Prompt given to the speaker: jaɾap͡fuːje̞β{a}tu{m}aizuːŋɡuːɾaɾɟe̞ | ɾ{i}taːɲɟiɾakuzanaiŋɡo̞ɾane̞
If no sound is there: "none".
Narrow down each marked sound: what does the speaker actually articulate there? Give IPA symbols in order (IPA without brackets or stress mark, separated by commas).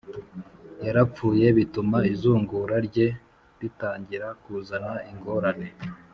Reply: i, m, i